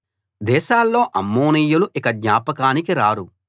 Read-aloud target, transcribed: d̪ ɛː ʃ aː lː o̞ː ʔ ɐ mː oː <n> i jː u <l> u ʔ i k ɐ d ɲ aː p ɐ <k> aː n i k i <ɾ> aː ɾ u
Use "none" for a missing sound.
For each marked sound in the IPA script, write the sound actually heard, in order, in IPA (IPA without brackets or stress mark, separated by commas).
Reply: n, l, k, ɾ